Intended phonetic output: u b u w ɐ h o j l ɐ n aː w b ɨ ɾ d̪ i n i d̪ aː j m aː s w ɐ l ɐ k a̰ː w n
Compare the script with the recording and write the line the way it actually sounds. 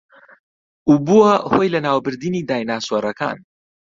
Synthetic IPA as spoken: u b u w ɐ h o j l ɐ n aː w b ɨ ɾ d̪ i n i d̪ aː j n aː s w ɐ ɾ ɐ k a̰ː n